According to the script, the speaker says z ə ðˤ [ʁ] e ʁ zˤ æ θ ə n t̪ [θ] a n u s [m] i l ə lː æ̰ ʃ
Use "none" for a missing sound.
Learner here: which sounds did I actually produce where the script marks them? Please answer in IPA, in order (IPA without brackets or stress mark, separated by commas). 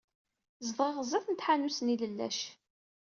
ʁ, ħ, n